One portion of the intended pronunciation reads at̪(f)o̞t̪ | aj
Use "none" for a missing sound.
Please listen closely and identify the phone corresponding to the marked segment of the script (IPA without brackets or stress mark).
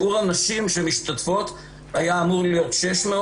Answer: f